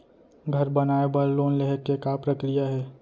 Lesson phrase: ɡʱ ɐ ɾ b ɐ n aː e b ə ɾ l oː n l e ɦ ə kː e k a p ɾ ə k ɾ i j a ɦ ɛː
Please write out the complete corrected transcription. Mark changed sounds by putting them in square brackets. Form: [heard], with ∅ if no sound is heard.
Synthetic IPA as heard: ɡʱ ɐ ɾ b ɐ n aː e b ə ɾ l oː n l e ɦ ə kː e k a p ɾ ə k ɾ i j a ɦ ɛː